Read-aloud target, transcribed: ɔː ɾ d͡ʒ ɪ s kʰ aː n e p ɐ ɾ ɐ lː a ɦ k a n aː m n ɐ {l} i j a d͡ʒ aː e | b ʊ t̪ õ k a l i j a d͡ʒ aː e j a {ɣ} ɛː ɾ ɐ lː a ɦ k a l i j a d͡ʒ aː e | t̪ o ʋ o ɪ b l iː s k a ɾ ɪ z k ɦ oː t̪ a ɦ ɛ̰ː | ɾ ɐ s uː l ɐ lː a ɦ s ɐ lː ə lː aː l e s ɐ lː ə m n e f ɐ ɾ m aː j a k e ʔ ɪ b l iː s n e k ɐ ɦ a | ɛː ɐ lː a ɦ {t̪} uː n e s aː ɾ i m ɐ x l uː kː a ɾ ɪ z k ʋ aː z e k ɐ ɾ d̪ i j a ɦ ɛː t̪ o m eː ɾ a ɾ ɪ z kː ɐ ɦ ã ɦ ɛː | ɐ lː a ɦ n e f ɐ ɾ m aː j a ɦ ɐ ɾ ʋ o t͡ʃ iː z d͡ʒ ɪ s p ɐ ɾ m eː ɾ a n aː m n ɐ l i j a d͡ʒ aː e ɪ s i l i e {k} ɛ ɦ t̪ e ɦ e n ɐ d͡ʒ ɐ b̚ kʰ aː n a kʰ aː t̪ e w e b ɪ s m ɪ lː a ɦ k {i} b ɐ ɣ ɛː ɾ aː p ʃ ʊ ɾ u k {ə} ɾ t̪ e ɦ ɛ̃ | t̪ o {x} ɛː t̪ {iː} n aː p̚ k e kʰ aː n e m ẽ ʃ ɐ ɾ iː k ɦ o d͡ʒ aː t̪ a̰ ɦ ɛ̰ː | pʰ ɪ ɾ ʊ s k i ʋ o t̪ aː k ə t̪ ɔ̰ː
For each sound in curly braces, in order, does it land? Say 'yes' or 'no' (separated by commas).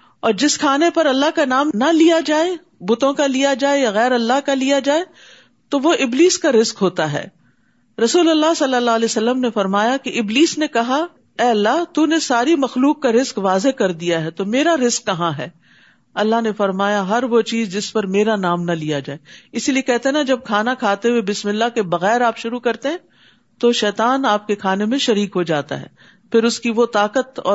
yes, yes, yes, yes, no, no, no, no